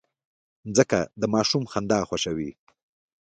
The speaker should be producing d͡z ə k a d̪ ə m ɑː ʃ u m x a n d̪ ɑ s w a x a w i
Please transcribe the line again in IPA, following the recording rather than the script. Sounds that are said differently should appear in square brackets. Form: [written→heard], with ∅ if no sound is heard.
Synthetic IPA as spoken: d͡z ə k a d̪ ə m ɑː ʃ u m x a n d̪ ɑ [s→x] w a [x→ʃ] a w i